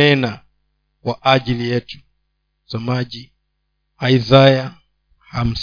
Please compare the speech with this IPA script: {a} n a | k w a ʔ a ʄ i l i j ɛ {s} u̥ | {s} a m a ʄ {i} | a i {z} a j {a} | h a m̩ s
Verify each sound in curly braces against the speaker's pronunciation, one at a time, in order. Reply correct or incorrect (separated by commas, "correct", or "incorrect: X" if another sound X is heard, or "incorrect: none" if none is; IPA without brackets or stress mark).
incorrect: ɛ, incorrect: t, correct, correct, correct, correct